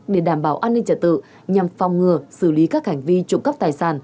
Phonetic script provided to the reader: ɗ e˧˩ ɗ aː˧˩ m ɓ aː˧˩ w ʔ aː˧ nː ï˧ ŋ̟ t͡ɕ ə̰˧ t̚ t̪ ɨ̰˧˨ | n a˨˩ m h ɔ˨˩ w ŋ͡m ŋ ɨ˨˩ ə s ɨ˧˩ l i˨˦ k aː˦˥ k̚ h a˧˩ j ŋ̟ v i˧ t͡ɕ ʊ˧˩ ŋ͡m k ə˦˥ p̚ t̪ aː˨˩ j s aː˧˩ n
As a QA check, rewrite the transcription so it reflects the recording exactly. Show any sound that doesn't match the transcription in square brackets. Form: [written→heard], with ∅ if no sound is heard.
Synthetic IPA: ɗ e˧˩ ɗ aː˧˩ m ɓ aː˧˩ w ʔ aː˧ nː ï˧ ŋ̟ t͡ɕ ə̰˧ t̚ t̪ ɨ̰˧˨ | [n→ɲ] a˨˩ m [h→f] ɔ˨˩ w ŋ͡m ŋ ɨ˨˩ ə s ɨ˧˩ l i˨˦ k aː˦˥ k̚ h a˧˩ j ŋ̟ v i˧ t͡ɕ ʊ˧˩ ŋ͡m k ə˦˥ p̚ t̪ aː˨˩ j s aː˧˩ n